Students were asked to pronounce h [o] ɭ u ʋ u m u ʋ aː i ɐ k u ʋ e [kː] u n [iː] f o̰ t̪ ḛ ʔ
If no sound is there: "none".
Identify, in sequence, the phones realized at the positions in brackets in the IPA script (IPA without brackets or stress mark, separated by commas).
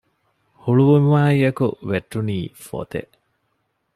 u, ʈː, iː